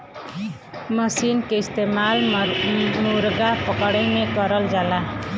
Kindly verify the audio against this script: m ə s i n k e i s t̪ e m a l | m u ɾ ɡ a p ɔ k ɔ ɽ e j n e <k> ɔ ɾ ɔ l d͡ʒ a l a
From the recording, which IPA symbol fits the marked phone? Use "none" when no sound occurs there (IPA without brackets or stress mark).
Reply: k